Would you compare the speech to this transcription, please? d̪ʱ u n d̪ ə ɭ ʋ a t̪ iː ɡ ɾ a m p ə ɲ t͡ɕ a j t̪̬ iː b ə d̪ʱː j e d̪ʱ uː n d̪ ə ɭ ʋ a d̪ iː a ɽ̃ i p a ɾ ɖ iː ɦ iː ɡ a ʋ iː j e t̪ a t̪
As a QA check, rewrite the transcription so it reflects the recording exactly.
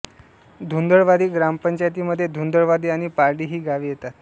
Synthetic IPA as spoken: d̪ʱ u n d̪ ə ɭ ʋ a d̪ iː ɡ ɾ a m p ə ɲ t͡ɕ a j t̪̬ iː m ə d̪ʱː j e d̪ʱ u n d̪ ə ɭ ʋ a d̪ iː a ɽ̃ i p a ɾ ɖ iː ɦ iː ɡ a ʋ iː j e t̪ a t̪